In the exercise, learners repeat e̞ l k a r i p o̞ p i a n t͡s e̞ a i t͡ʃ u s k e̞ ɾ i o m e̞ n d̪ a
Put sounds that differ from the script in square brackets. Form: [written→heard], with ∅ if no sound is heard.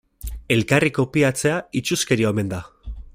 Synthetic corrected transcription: e̞ l k a r i [p→k] o̞ p i a [n→∅] t͡s e̞ a i t͡ʃ u s k e̞ ɾ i o m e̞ n d̪ a